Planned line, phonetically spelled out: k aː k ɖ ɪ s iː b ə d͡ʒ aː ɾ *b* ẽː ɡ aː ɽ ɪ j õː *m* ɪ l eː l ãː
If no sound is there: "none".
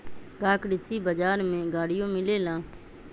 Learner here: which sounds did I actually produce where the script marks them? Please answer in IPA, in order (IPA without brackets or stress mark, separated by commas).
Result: m, m